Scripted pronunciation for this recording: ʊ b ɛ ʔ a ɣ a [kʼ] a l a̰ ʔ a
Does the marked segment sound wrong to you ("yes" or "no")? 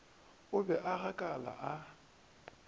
no